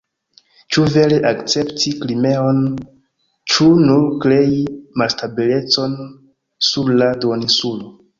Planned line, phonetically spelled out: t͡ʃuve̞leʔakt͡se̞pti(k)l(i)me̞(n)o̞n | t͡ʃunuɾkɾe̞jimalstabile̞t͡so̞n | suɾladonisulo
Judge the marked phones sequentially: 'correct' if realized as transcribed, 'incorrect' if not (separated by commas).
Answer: correct, correct, incorrect